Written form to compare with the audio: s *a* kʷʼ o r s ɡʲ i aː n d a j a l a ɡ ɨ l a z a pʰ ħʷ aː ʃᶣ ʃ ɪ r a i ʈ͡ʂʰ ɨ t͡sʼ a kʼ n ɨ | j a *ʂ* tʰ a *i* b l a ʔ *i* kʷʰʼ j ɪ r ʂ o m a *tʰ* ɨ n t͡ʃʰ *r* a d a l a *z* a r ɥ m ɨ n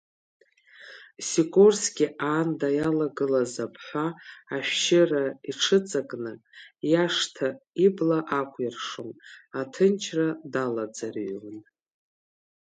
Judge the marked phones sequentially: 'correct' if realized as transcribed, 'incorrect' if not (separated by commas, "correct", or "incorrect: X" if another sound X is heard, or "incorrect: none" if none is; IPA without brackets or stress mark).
incorrect: i, correct, correct, incorrect: a, correct, correct, incorrect: d͡z